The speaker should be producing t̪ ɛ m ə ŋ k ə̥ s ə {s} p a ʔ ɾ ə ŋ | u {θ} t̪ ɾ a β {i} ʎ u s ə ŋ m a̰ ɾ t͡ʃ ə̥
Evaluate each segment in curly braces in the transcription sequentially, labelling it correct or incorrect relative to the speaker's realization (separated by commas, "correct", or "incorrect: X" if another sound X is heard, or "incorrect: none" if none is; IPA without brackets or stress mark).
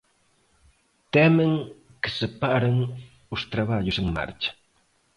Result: incorrect: none, incorrect: s, incorrect: a